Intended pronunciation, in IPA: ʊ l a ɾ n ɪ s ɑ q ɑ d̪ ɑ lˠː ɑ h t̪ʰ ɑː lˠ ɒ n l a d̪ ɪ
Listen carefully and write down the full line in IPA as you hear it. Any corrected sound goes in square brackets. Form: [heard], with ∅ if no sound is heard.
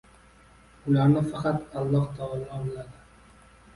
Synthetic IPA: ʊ l a ɾ n ɪ [f] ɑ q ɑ [t̪] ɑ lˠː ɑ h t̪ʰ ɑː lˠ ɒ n l a d̪ ɪ